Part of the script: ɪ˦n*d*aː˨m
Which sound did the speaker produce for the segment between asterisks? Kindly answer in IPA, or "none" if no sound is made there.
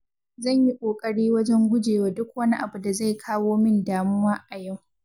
d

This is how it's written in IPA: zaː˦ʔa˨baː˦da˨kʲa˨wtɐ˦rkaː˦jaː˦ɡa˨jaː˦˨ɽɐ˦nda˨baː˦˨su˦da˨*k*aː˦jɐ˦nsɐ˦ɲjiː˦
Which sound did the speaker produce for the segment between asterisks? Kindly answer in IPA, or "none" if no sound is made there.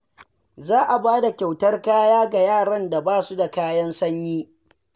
k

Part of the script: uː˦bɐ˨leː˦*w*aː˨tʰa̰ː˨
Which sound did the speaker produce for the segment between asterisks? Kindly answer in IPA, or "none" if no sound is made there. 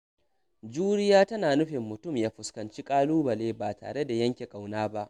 b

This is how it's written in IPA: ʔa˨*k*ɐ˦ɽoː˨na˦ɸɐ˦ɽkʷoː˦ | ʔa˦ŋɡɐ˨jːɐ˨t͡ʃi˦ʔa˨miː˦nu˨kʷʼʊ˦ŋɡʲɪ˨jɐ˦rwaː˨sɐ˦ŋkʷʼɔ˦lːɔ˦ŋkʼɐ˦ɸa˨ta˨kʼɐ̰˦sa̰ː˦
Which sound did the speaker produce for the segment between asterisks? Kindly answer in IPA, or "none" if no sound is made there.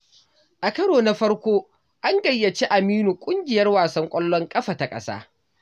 k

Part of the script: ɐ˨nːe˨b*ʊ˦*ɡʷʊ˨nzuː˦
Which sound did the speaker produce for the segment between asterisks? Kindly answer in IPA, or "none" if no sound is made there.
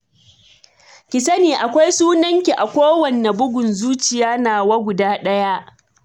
ʊ˦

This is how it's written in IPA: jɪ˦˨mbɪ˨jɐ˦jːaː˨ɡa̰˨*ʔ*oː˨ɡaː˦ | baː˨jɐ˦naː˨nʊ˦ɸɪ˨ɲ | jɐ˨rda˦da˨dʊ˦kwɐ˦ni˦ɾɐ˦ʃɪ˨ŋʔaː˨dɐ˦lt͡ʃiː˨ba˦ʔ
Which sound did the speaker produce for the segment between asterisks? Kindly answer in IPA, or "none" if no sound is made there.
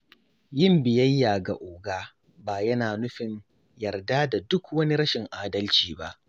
ʔ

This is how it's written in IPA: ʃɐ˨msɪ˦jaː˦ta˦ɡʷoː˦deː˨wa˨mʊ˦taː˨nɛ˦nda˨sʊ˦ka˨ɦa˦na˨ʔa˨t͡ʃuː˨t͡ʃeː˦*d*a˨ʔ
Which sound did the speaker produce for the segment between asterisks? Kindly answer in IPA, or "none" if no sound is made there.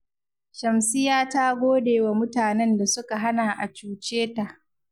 t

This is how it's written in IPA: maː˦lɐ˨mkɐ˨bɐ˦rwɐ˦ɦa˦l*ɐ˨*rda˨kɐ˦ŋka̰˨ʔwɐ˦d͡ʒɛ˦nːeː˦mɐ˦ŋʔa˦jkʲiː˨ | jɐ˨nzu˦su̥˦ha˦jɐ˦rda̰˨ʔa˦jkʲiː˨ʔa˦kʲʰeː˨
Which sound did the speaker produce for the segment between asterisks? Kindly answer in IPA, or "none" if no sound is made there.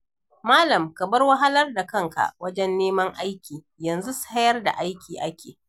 ɐ˦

